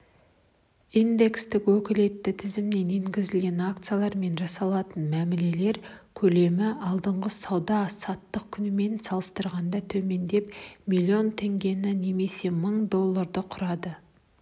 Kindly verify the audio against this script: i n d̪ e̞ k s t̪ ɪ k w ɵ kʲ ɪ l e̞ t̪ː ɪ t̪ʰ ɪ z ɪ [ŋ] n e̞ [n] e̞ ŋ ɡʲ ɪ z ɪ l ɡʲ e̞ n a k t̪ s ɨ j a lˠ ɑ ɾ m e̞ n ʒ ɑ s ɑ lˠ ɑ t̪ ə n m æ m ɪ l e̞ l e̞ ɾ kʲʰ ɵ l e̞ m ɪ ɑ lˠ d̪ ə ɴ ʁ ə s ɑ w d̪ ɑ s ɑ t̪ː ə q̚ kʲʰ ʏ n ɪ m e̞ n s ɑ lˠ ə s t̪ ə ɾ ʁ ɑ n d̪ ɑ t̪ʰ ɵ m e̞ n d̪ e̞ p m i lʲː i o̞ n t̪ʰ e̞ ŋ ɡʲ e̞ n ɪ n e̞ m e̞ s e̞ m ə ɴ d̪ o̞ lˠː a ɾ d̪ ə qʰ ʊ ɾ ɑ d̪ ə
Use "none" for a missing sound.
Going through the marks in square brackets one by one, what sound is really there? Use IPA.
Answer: m, n

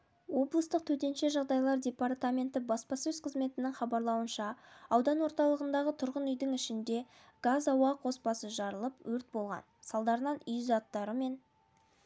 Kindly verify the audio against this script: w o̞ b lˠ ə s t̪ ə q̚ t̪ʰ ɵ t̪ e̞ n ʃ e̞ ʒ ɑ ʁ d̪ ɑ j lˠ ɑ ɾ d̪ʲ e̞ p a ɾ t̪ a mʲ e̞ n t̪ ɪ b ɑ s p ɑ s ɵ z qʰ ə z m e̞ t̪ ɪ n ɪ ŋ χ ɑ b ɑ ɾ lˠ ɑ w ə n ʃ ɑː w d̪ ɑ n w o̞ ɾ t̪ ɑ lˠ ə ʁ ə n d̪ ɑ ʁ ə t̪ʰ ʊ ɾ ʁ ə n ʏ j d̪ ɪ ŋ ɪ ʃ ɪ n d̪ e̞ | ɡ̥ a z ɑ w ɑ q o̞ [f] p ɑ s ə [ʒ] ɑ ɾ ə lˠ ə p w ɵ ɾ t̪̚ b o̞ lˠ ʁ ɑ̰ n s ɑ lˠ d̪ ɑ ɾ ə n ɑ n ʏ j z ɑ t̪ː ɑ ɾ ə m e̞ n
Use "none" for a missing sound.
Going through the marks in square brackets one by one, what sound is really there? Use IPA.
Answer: s, ʒ

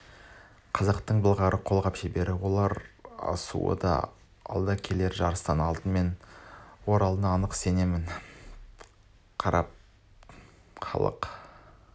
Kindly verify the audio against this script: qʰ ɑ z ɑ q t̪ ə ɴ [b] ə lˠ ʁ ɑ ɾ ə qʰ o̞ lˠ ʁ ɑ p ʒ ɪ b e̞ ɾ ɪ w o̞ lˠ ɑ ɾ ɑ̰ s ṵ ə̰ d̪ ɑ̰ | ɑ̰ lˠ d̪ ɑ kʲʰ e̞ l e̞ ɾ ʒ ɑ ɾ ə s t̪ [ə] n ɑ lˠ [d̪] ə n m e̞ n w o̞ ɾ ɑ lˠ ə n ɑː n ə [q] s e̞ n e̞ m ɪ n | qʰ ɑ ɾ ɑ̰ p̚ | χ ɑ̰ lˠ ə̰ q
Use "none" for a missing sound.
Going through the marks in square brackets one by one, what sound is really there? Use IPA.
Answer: b, ɑ, t̪, q

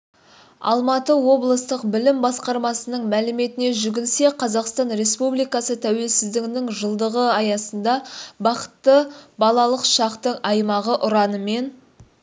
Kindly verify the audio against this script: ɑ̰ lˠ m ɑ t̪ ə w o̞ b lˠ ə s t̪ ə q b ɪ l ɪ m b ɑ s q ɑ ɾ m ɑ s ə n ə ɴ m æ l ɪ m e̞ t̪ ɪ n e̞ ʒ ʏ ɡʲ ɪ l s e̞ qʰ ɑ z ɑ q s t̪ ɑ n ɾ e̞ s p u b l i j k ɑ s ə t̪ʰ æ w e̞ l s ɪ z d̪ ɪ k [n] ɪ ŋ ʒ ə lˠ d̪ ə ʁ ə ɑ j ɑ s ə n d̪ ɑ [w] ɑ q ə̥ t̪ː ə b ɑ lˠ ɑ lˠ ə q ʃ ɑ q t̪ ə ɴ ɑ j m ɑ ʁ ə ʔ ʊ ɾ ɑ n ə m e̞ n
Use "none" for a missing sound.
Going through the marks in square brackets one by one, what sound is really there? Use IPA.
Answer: n, b

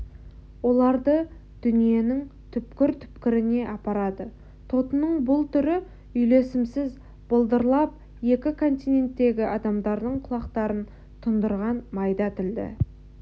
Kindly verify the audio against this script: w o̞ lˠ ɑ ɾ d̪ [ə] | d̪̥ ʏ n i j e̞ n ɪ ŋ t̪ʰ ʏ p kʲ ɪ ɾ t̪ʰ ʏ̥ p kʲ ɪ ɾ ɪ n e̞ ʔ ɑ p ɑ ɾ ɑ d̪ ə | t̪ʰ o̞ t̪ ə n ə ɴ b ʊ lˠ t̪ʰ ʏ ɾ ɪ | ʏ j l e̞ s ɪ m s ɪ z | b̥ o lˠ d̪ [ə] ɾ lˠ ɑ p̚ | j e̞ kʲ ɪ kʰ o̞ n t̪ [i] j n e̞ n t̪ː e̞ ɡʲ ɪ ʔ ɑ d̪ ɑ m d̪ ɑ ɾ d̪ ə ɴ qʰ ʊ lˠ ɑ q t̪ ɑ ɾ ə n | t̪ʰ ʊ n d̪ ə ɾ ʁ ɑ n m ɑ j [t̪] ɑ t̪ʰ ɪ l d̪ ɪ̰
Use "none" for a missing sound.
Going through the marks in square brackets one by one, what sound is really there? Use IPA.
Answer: ə, ə, i, d̪

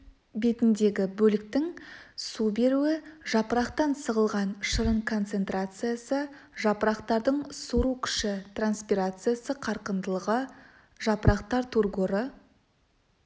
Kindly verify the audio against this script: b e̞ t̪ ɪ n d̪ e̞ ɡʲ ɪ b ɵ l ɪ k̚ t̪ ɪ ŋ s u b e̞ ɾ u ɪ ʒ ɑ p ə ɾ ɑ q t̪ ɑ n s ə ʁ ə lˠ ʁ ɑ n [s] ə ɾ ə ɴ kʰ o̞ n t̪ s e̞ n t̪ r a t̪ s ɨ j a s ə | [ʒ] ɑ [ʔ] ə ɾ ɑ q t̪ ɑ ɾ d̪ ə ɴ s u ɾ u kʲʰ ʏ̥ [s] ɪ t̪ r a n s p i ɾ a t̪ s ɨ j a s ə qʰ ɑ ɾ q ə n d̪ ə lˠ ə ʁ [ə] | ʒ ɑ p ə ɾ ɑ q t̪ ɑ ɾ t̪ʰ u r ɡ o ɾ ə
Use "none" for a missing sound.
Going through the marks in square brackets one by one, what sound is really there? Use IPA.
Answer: ʃ, ʒ, p, ʃ, ə

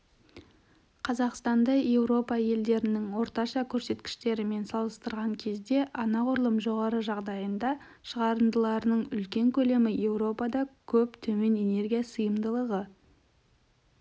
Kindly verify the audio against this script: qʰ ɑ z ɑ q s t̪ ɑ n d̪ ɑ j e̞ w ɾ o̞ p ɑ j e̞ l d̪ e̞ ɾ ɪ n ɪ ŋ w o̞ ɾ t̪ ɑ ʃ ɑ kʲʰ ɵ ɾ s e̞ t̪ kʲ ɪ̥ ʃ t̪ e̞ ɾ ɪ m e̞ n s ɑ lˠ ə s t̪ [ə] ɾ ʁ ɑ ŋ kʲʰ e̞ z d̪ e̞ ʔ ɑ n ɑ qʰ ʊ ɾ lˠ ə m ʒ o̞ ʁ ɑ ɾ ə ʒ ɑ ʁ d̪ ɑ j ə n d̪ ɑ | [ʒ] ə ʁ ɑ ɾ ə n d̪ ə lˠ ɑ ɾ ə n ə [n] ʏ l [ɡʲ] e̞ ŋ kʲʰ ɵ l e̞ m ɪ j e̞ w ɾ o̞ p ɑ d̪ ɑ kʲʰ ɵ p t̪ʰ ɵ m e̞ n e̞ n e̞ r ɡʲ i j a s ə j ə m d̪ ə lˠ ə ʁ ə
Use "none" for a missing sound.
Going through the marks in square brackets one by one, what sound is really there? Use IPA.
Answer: ə, ʃ, ɴ, kʲ

